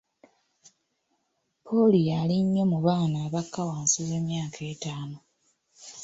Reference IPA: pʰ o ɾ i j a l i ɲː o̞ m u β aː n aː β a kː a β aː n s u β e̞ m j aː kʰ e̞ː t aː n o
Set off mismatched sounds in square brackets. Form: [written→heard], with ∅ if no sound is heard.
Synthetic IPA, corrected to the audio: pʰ o [ɾ→l] i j a l i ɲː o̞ m u β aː n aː β a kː a [β→w] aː n s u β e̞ m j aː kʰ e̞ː t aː n o